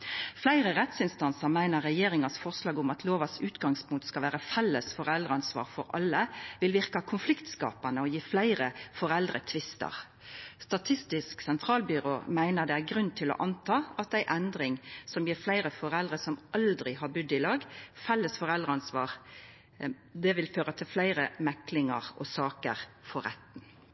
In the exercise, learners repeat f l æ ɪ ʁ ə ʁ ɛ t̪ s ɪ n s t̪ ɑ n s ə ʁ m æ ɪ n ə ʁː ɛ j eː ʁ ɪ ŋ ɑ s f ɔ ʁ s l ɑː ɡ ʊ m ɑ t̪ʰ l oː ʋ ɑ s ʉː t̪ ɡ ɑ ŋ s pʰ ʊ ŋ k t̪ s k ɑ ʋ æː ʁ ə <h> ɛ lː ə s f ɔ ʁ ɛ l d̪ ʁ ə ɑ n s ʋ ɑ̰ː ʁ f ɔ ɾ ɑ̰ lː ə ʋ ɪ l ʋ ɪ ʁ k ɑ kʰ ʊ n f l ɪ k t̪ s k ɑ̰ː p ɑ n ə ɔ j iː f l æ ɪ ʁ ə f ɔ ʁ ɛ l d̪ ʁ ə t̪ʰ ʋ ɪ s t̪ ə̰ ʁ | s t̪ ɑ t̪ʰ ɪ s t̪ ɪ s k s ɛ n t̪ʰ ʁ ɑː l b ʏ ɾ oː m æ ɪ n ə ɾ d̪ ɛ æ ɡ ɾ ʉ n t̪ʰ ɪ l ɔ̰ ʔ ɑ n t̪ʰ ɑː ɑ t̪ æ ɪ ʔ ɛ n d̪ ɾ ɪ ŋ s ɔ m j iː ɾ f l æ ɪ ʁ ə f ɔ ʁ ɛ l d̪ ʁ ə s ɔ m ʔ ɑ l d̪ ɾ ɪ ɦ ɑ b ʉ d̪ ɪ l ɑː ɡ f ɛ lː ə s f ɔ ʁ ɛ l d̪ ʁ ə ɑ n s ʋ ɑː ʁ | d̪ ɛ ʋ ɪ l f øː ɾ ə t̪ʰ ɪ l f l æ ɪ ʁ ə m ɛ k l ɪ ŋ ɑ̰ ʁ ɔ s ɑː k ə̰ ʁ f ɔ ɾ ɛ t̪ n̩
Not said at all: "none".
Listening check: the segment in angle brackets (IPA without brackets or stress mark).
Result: f